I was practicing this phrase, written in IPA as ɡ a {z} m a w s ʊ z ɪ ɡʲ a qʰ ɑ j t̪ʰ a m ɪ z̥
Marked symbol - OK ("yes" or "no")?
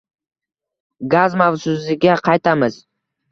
yes